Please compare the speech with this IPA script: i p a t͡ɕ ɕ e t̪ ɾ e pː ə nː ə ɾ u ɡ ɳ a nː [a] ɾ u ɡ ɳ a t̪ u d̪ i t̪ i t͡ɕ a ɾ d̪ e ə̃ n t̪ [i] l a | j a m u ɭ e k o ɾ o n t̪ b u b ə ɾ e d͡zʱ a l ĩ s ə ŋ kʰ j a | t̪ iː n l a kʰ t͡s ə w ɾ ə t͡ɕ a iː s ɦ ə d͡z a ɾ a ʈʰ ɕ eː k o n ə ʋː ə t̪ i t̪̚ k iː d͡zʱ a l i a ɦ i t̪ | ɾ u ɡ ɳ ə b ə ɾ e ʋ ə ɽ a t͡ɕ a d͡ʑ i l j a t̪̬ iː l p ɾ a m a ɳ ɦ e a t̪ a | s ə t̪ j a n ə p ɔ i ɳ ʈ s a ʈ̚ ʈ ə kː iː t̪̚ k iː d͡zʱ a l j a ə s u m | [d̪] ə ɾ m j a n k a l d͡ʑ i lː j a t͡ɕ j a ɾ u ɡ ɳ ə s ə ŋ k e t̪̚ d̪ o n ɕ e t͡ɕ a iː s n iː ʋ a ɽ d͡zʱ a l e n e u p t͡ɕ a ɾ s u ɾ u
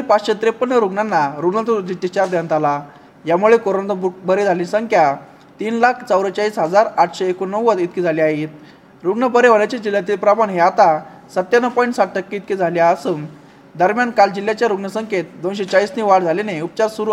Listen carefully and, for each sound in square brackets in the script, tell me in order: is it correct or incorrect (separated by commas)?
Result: correct, incorrect, correct